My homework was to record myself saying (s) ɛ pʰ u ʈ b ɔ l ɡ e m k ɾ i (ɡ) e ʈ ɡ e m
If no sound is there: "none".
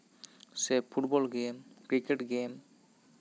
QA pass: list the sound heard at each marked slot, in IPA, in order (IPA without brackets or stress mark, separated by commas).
s, k